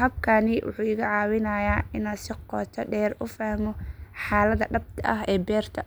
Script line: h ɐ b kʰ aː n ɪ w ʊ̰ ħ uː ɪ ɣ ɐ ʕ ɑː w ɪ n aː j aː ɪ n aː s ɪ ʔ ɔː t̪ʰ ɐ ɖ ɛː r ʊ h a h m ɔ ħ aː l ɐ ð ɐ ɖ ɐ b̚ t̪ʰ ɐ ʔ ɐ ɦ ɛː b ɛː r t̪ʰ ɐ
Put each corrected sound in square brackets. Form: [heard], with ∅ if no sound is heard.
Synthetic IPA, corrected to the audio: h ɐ b kʰ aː n ɪ w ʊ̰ ħ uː ɪ ɣ ɐ ʕ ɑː w ɪ n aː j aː ɪ n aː s ɪ [q] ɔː t̪ʰ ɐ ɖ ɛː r ʊ [f] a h m ɔ ħ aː l ɐ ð ɐ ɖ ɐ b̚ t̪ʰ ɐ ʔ ɐ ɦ ɛː b ɛː r t̪ʰ ɐ